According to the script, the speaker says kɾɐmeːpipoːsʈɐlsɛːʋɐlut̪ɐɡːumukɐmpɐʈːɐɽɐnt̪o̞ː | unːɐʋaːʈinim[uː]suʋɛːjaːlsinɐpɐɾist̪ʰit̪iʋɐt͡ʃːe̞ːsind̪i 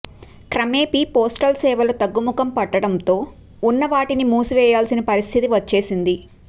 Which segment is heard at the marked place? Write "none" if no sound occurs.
uː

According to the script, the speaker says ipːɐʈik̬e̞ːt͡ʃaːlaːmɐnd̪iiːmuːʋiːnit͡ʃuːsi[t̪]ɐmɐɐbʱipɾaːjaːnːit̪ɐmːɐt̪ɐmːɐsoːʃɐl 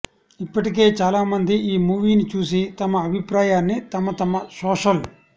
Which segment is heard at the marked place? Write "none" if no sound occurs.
t̪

